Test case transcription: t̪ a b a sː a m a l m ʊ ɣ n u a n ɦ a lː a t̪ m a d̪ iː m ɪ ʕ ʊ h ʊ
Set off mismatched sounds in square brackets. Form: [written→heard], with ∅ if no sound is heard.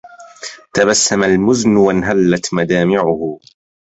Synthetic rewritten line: t̪ a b a sː a m a l m ʊ [ɣ→z] n [u→w] a n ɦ a lː a t̪ m a d̪ [iː→aː] m ɪ ʕ ʊ h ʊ